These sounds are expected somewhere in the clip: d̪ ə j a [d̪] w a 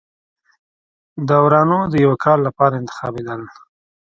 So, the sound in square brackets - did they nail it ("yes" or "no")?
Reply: no